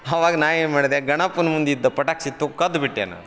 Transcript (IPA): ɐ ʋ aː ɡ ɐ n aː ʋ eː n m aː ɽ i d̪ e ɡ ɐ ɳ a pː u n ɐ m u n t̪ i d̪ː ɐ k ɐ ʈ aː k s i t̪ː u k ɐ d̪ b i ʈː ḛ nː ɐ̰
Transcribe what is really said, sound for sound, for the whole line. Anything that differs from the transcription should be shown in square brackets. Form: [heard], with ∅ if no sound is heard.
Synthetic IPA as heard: ɐ ʋ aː ɡ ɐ n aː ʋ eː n m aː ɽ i d̪ e ɡ ɐ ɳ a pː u n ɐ m u n [d̪] i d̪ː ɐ [p] ɐ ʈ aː k s i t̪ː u k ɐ d̪ b i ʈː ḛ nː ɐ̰